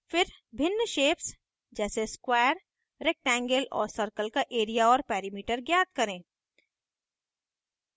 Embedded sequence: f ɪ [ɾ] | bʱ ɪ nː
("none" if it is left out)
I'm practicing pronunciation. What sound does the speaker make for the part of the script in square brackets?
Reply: ɾ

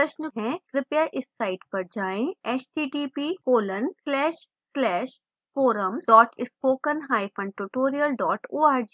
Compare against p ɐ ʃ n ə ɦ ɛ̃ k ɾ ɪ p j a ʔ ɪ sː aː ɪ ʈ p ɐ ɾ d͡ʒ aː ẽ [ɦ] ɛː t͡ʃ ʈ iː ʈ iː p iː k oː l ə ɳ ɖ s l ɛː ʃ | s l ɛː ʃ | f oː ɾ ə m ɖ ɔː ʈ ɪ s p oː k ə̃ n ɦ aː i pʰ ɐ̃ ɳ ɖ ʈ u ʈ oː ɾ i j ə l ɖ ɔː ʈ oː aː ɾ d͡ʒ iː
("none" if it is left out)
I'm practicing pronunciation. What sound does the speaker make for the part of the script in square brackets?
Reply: none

